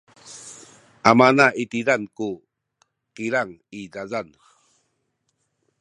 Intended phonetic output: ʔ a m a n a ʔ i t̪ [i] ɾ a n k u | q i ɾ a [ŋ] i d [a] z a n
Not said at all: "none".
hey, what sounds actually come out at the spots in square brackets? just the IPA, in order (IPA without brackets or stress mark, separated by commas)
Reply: i, ŋ, a